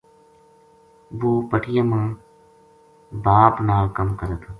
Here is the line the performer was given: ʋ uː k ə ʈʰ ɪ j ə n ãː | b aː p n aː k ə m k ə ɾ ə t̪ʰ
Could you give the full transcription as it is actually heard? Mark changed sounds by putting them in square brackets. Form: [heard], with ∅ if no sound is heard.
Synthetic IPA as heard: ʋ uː [p] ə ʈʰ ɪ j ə [m] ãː | b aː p n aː k ə m k ə ɾ ə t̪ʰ